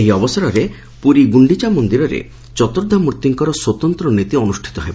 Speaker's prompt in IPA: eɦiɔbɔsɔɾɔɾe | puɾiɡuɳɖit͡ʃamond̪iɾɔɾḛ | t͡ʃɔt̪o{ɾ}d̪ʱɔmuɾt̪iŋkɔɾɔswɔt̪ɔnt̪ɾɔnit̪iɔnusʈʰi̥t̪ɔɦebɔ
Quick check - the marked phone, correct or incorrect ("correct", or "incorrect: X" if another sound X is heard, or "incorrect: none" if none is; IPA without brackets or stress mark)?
correct